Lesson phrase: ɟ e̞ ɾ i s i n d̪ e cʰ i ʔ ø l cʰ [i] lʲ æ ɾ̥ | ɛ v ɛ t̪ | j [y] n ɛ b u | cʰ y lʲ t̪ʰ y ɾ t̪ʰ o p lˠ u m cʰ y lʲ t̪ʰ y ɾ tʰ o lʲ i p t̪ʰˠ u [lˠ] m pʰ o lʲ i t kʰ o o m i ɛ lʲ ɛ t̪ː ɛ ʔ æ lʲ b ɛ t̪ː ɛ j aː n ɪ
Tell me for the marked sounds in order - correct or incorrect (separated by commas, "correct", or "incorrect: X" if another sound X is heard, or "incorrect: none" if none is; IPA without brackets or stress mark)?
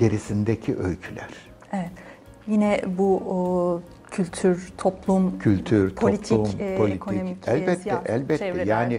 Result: incorrect: y, incorrect: i, incorrect: none